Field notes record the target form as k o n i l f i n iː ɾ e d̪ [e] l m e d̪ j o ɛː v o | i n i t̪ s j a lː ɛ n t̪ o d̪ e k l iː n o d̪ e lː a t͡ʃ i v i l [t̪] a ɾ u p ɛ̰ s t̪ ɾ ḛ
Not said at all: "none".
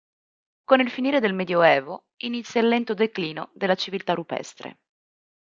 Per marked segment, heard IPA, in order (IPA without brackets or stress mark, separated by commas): e, t̪